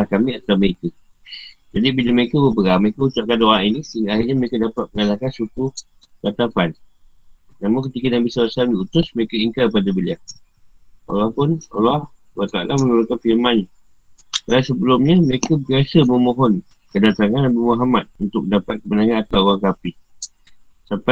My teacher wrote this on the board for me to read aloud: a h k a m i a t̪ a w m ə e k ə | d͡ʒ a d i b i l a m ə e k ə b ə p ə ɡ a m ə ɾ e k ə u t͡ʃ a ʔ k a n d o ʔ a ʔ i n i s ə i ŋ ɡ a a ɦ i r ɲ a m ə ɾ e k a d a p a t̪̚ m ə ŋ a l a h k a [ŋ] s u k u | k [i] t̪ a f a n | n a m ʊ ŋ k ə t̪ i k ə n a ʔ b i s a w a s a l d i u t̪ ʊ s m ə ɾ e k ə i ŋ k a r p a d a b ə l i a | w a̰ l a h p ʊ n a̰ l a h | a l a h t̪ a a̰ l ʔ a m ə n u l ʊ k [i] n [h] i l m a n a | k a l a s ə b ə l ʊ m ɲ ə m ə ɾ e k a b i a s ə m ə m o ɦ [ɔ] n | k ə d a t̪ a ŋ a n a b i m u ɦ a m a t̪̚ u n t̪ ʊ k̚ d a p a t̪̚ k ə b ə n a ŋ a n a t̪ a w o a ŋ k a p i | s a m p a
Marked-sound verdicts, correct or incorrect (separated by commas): incorrect, incorrect, incorrect, incorrect, correct